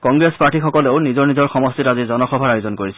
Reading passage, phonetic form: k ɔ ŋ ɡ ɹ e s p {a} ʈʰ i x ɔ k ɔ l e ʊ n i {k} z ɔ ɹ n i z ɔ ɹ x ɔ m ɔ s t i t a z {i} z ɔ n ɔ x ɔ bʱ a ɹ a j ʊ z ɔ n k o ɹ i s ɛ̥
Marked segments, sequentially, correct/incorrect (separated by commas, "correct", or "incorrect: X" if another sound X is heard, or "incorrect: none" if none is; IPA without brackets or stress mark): correct, incorrect: none, correct